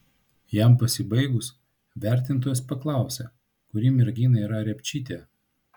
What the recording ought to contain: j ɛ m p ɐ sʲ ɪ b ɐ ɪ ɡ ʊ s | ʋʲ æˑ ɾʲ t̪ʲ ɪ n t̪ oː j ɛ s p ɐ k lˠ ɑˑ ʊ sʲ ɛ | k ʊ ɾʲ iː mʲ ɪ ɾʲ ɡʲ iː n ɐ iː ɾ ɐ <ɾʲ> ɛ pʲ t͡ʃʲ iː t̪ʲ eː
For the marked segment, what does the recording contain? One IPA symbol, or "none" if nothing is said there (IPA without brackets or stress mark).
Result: ɾʲ